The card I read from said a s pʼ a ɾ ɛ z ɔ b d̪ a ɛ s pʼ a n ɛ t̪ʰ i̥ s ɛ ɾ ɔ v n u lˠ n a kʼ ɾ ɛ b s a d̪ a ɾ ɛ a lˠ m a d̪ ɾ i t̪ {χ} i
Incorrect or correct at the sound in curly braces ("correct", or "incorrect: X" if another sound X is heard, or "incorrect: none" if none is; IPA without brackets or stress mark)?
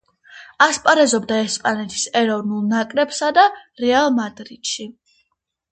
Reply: incorrect: ʃ